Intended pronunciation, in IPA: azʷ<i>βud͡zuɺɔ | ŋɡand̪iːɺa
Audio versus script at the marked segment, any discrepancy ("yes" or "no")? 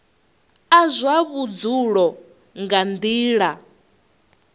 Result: yes